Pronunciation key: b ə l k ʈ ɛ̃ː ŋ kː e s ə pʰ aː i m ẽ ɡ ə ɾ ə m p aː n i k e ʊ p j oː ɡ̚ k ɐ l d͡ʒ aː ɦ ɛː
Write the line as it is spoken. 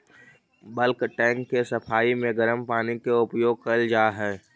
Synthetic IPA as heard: b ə l k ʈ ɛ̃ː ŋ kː e s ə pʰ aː i m ẽ ɡ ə ɾ ə m p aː n i k e ʊ p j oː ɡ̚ k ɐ l d͡ʒ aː ɦ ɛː